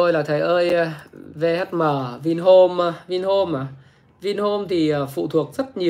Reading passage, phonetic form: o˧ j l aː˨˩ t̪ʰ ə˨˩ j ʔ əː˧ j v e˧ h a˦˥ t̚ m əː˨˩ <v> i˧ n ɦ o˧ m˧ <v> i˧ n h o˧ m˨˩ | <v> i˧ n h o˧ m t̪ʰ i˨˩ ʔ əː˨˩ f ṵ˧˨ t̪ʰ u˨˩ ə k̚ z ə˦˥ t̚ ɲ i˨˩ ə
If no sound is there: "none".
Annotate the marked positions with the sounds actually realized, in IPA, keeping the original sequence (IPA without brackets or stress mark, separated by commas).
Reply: v, v, v